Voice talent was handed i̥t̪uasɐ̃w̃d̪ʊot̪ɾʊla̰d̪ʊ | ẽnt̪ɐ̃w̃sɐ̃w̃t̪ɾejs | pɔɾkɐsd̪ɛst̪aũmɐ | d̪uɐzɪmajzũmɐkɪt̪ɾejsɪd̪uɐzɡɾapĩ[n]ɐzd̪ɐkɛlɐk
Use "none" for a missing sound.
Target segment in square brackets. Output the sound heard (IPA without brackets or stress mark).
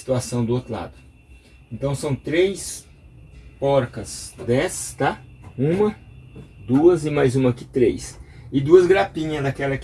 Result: ɲ